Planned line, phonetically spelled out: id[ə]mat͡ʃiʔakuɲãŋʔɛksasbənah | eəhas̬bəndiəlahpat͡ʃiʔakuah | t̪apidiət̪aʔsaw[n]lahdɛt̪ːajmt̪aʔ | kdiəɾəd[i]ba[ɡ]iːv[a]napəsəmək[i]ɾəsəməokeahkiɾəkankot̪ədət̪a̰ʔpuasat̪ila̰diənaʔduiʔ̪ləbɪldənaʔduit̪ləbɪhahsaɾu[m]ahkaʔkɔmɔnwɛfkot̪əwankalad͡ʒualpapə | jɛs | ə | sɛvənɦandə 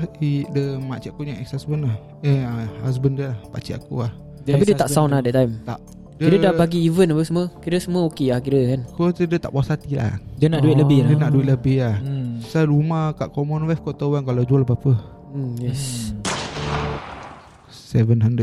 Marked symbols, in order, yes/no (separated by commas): yes, yes, no, yes, no, yes, yes